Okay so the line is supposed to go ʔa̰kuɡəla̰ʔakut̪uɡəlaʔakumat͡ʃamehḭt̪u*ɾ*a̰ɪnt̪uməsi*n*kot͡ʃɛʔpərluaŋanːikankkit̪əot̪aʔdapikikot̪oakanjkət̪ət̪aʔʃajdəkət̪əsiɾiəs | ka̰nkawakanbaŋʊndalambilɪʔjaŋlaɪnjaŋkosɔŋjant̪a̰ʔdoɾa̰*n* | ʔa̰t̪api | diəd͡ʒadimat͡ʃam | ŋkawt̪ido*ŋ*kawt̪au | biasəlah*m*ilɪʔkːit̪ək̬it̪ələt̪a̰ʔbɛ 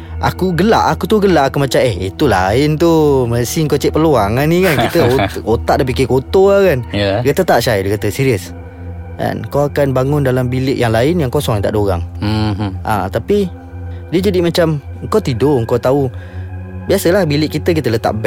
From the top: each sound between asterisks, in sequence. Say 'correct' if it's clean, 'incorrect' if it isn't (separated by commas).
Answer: incorrect, incorrect, incorrect, correct, incorrect